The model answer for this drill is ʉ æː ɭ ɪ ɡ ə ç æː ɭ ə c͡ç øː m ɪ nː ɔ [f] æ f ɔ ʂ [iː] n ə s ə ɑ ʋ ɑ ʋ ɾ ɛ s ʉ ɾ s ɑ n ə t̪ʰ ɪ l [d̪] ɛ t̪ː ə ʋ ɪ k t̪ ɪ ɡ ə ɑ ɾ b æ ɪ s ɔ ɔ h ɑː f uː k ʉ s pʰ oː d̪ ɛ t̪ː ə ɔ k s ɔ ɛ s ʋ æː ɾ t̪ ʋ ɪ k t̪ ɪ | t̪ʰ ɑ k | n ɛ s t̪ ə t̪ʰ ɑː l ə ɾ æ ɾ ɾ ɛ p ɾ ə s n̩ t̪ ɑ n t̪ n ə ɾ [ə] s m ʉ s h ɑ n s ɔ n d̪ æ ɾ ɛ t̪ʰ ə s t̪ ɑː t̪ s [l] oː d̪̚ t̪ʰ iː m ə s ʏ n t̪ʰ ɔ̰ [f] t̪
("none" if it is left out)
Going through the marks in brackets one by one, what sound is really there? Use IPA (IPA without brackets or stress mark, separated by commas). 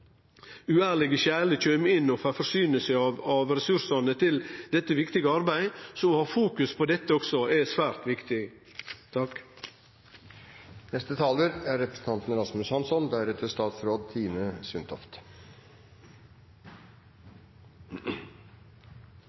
f, yː, d̪, ɑ, ɾ, f